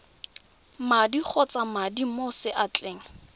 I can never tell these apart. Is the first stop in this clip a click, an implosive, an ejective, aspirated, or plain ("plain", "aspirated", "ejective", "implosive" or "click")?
plain